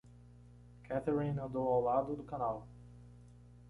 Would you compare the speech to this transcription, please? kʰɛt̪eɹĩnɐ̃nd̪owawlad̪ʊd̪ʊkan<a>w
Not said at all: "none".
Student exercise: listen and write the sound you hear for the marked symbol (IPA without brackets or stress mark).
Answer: a